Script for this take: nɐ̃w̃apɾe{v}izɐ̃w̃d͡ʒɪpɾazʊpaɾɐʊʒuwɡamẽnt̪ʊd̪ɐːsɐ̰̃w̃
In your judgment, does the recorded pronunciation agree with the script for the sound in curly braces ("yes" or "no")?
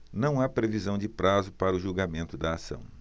yes